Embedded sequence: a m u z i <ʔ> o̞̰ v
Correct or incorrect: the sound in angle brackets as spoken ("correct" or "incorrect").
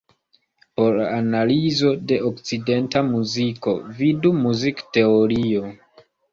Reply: incorrect